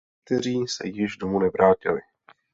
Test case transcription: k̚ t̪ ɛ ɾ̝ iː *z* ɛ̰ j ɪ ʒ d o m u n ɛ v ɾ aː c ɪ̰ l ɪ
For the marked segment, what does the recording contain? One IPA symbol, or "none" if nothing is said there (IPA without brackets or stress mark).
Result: s